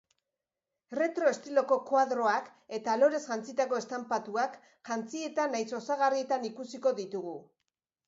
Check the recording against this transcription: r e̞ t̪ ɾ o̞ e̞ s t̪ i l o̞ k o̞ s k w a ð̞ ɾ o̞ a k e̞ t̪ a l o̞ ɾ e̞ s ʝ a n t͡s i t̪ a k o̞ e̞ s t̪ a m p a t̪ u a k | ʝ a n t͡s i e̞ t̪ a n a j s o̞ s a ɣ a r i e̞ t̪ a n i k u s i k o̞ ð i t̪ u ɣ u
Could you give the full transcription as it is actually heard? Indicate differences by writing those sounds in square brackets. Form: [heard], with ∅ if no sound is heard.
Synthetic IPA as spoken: r e̞ t̪ ɾ o̞ e̞ s t̪ i l o̞ k o̞ [∅] k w a ð̞ ɾ o̞ a k e̞ t̪ a l o̞ ɾ e̞ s ʝ a n t͡s i t̪ a k o̞ e̞ s t̪ a m p a t̪ u a k | ʝ a n t͡s i e̞ t̪ a n a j s o̞ s a ɣ a r i e̞ t̪ a n i k u s i k o̞ ð i t̪ u ɣ u